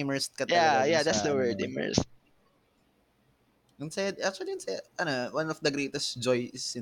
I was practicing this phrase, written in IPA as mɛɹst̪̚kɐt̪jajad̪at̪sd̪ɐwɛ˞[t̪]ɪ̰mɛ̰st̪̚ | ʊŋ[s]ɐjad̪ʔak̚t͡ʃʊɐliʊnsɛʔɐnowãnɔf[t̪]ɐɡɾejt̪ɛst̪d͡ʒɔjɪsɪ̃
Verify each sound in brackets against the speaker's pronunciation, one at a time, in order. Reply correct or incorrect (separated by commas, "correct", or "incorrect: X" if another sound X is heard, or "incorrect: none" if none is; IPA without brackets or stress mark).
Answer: incorrect: d̪, correct, incorrect: d̪